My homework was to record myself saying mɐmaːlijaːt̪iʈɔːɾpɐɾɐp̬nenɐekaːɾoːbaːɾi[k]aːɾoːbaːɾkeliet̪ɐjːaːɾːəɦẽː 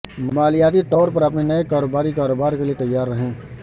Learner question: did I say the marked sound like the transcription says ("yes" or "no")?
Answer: yes